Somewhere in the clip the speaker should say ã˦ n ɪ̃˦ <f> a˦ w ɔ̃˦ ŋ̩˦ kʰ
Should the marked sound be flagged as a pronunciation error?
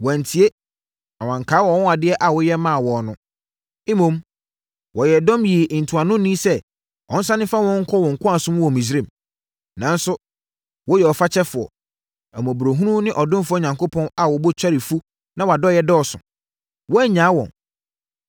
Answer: no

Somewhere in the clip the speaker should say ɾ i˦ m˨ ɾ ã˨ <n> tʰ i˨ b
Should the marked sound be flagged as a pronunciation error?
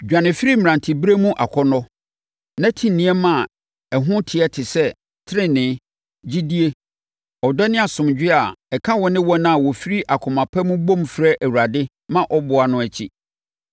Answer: no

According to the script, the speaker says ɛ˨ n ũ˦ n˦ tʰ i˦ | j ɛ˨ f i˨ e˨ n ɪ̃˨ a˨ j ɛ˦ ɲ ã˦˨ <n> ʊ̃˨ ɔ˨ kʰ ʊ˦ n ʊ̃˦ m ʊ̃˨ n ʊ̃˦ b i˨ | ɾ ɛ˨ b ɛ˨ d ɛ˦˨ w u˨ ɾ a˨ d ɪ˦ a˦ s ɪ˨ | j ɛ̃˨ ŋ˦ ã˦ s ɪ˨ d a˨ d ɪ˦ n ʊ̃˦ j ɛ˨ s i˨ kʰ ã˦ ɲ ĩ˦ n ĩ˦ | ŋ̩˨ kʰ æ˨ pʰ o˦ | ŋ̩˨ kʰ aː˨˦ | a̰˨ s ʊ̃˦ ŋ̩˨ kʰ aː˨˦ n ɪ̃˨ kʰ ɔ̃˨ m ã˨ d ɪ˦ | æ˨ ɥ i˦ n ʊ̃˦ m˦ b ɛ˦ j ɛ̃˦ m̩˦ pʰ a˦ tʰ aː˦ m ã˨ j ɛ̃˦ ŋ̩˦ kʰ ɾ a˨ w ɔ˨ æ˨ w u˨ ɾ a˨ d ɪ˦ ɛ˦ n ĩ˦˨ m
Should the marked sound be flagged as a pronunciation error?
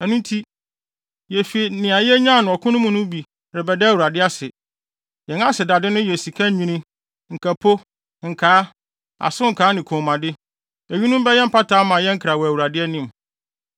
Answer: no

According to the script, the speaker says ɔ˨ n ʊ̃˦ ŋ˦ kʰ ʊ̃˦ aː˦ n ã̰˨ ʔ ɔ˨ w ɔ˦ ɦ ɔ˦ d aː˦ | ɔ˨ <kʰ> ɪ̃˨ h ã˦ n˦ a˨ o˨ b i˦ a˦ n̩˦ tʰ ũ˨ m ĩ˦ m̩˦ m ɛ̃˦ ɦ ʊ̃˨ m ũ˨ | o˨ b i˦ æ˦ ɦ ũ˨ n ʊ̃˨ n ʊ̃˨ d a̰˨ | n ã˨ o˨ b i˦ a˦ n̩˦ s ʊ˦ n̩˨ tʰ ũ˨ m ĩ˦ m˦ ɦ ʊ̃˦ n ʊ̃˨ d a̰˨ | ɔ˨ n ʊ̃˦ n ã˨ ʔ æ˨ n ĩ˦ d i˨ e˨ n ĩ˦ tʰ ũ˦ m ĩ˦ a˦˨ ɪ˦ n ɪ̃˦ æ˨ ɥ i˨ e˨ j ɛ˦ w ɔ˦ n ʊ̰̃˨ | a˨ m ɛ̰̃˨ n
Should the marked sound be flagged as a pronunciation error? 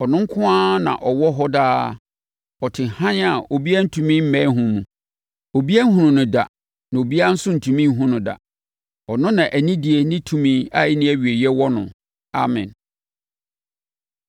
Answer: yes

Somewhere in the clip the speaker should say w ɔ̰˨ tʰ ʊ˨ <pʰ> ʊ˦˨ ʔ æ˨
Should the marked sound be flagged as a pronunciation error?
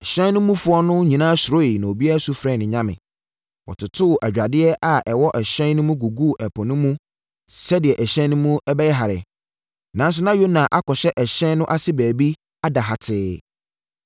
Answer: yes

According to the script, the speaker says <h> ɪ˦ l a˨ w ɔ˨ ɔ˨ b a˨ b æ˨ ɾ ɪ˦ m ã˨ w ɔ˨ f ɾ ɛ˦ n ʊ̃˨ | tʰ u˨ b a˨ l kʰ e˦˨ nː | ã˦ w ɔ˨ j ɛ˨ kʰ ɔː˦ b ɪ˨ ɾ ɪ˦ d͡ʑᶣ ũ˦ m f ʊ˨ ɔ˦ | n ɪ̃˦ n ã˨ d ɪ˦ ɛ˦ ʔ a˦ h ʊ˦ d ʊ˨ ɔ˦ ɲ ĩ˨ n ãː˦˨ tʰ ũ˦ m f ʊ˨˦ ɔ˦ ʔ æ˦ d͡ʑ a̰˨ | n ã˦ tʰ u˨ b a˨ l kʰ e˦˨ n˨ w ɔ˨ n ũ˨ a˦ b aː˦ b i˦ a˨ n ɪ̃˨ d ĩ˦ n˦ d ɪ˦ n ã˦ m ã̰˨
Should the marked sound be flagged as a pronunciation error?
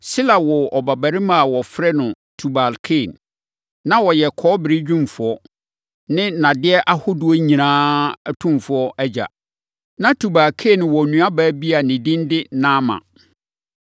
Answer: yes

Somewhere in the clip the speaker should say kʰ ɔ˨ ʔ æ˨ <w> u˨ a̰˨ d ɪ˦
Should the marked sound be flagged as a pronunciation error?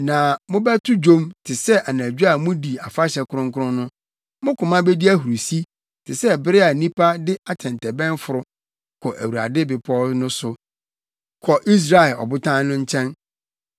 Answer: no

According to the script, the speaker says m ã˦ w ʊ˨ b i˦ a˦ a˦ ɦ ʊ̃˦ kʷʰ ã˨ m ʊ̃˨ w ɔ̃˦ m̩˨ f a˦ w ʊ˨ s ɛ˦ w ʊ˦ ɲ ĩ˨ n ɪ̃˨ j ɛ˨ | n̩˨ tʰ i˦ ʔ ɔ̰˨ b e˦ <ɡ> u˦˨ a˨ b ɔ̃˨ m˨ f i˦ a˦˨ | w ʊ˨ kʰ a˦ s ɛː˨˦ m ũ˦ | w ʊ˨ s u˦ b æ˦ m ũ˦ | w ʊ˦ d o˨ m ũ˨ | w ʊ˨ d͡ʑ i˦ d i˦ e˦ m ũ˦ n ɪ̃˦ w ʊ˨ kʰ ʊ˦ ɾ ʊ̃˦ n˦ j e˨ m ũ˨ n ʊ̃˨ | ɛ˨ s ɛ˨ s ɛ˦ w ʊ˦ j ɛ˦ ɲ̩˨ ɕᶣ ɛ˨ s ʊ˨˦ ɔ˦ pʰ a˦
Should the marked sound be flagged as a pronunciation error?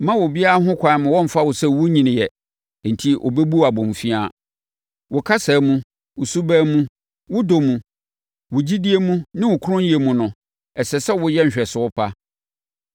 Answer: yes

